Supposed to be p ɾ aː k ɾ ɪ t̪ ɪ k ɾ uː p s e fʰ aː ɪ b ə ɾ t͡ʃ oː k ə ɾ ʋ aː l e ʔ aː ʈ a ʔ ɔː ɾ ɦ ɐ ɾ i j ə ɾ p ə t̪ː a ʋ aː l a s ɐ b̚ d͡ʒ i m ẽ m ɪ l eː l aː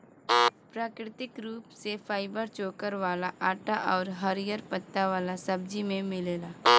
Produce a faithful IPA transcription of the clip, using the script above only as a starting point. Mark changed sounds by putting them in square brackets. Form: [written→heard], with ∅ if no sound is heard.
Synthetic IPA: p ɾ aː k ɾ ɪ t̪ ɪ k ɾ uː p s e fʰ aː ɪ b ə ɾ t͡ʃ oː k ə ɾ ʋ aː l [e→a] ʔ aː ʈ a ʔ ɔː ɾ ɦ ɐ ɾ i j ə ɾ p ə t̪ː a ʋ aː l a s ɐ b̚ d͡ʒ i m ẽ m ɪ l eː l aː